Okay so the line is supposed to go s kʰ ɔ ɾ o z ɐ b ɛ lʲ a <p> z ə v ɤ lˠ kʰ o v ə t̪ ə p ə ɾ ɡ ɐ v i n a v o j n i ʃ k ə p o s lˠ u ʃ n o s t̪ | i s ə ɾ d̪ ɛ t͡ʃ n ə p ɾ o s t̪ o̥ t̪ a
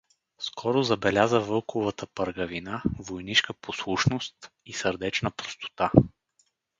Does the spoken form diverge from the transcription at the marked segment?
yes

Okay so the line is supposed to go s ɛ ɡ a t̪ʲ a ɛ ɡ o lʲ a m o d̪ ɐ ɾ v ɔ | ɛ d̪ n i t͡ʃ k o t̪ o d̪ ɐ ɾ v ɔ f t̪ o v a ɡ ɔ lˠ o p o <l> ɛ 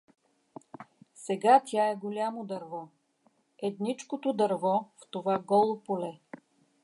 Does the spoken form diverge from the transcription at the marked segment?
no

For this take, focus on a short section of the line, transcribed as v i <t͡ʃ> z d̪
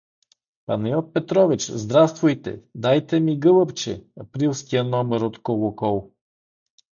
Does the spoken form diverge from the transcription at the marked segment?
no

